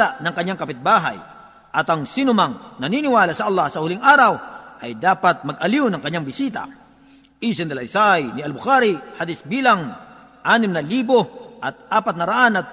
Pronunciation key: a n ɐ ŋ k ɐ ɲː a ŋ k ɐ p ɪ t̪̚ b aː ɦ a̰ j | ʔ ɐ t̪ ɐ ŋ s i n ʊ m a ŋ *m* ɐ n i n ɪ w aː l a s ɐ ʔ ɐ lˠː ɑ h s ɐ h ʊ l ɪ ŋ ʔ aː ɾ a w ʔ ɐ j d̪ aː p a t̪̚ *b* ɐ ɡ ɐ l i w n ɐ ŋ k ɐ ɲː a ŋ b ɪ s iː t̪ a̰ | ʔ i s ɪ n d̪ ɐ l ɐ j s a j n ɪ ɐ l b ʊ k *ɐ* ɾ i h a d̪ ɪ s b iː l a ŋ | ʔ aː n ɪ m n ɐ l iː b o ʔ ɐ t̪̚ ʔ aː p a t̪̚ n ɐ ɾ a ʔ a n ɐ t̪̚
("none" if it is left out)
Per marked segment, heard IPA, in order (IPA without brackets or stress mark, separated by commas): n, m, a